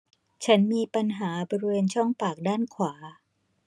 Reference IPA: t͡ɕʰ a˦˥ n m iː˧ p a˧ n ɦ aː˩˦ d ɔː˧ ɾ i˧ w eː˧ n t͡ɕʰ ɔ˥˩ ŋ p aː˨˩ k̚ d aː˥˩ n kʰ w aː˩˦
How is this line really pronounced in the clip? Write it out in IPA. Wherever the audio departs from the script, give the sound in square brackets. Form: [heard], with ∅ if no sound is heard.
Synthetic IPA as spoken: t͡ɕʰ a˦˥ n m iː˧ p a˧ n ɦ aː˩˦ [b] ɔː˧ ɾ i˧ w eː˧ n t͡ɕʰ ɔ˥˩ ŋ p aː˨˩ k̚ d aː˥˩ n kʰ w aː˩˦